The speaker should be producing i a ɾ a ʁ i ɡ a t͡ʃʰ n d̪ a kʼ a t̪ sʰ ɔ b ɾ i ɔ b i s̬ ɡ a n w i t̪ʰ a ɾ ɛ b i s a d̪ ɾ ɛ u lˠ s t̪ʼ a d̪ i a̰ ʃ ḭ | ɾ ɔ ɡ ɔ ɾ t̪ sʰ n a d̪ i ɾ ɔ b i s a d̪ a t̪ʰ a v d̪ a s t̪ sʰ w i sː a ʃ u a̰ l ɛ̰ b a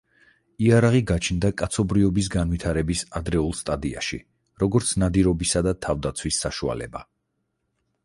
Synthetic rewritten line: i a ɾ a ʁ i ɡ a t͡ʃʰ n d̪ a kʼ a t̪ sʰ ɔ b ɾ i ɔ b i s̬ ɡ a n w i t̪ʰ a ɾ ɛ b i s a d̪ ɾ ɛ u lˠ s t̪ʼ a d̪ i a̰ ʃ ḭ | ɾ ɔ ɡ ɔ ɾ t̪ sʰ n a d̪ i ɾ ɔ b i s a d̪ a t̪ʰ a v d̪ a t̪ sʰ w i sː a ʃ u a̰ l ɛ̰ b a